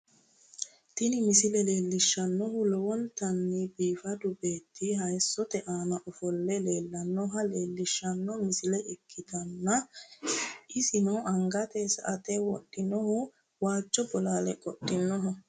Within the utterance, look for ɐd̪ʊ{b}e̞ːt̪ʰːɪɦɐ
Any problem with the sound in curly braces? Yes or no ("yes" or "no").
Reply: no